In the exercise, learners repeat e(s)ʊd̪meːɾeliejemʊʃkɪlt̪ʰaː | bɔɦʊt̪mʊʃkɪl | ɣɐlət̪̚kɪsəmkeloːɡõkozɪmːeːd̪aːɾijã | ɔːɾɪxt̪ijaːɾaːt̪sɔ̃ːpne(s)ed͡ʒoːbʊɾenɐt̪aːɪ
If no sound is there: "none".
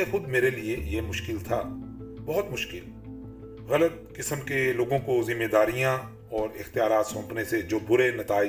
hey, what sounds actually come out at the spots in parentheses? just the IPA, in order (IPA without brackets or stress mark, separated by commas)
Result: x, s